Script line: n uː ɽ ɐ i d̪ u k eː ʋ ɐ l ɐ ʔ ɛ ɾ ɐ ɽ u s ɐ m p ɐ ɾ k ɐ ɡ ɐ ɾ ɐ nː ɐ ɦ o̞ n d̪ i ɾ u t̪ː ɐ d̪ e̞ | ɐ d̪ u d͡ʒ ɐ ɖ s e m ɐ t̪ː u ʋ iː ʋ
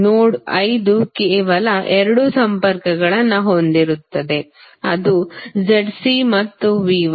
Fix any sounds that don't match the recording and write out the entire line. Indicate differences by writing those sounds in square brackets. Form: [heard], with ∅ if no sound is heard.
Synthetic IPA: n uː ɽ ɐ [j] d̪ u k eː ʋ ɐ l ɐ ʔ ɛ ɾ ɐ ɽ u s ɐ m p ɐ ɾ k ɐ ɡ ɐ [ɭ] ɐ nː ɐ ɦ o̞ n d̪ i ɾ u t̪ː ɐ d̪ e̞ | ɐ d̪ u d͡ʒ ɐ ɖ s [i] m ɐ t̪ː u ʋ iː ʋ